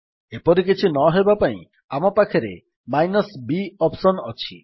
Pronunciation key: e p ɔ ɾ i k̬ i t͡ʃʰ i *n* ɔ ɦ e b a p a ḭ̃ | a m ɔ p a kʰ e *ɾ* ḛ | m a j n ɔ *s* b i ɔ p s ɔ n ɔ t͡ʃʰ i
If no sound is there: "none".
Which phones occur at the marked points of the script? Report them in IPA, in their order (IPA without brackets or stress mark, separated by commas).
n, ɾ, s